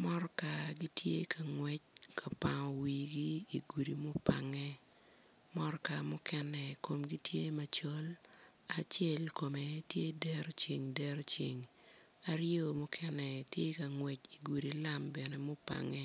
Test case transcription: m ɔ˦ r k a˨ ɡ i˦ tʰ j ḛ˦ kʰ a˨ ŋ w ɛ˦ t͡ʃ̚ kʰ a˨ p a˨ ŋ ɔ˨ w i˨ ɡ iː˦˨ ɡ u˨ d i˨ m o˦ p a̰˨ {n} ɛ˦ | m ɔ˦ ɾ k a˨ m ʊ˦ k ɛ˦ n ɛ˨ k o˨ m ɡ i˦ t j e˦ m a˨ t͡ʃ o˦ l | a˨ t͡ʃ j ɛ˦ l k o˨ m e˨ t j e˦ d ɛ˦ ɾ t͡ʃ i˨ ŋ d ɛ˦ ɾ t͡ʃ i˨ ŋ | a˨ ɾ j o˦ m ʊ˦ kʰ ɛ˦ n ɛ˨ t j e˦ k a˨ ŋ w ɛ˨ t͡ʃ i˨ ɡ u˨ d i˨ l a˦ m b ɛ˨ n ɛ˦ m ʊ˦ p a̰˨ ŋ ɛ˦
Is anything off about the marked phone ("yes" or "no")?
yes